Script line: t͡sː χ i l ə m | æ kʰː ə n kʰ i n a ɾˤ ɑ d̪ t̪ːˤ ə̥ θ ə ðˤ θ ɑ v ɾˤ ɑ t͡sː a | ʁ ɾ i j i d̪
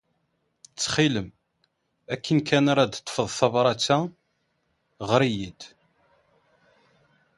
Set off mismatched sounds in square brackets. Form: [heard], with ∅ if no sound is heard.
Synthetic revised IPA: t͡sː χ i l ə m | æ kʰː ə n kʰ [æ] n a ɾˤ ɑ d̪ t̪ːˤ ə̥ [f] ə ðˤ θ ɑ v ɾˤ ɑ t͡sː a | ʁ ɾ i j i d̪